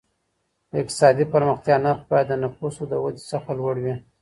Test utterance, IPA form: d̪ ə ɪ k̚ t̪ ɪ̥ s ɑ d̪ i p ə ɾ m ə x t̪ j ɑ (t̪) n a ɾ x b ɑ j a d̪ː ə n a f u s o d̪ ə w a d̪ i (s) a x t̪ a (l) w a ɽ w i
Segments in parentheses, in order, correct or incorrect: incorrect: none, correct, correct

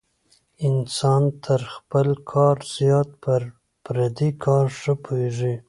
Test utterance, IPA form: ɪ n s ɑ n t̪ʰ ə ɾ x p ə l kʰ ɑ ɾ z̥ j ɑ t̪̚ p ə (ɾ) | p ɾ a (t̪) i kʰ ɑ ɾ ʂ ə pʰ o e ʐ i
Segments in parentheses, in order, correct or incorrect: correct, incorrect: d̪

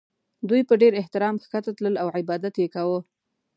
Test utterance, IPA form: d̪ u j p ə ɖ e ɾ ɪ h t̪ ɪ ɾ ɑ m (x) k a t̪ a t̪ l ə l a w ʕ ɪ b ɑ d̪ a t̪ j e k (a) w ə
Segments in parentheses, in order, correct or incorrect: correct, correct

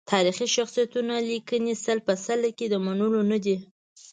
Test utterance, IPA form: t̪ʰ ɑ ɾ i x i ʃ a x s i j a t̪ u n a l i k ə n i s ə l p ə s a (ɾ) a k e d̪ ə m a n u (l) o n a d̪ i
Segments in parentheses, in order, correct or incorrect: incorrect: l, correct

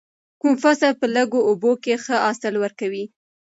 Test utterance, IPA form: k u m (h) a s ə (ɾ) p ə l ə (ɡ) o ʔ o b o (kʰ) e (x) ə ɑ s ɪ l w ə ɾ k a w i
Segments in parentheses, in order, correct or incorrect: incorrect: f, incorrect: l, correct, incorrect: k, correct

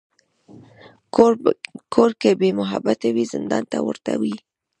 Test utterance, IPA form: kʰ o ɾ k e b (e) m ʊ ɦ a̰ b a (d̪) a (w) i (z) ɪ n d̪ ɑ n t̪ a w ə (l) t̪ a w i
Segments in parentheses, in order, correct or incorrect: correct, incorrect: t̪, correct, correct, incorrect: ɾ

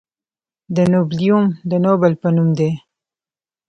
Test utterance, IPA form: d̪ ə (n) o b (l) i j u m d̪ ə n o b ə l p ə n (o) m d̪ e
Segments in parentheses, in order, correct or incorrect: correct, correct, incorrect: u

